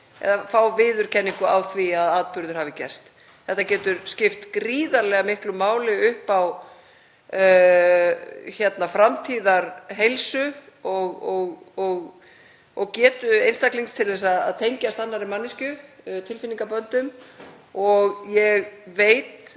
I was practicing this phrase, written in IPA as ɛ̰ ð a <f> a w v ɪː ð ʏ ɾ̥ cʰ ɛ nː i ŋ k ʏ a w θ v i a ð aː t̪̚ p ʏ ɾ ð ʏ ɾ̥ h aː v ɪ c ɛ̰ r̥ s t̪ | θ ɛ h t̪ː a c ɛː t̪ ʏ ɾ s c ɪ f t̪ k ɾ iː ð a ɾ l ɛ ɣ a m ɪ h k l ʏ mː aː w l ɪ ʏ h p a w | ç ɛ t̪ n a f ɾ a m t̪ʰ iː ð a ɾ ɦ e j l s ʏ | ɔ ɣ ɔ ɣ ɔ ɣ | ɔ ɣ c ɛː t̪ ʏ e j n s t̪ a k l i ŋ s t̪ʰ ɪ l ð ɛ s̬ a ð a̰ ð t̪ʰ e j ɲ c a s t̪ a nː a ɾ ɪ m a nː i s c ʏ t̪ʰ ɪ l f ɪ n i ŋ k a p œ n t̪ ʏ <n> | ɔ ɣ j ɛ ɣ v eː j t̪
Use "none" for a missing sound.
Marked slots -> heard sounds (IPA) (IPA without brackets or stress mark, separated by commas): f, m